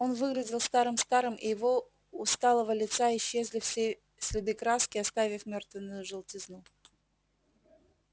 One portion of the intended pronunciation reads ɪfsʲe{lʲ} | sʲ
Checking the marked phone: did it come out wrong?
yes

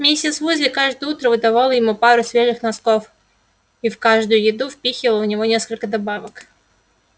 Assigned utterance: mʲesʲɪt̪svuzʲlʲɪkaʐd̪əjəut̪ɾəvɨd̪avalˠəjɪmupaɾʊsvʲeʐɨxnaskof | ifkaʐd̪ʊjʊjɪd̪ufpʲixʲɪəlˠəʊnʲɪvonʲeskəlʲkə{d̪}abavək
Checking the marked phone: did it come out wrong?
no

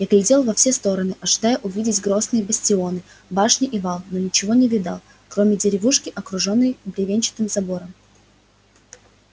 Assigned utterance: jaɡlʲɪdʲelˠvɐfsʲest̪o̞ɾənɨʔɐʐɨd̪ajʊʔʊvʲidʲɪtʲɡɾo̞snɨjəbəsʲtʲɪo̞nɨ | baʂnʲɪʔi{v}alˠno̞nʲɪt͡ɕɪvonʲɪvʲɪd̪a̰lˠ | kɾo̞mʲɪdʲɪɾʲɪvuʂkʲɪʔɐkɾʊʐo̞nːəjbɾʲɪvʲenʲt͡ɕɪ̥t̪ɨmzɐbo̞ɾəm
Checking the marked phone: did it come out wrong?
no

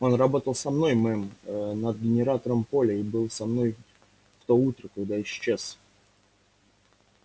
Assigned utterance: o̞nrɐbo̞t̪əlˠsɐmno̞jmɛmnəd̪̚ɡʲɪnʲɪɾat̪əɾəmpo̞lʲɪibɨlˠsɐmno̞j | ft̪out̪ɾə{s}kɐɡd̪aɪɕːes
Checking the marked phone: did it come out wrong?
yes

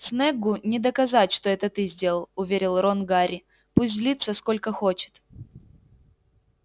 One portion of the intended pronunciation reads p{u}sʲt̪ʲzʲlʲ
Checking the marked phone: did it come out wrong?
no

